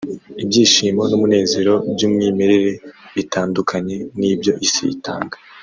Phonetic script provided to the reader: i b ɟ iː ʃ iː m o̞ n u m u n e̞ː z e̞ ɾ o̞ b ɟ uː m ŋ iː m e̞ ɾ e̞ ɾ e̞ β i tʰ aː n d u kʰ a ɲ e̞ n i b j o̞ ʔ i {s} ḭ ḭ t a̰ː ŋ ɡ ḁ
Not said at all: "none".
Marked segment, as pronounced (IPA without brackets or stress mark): s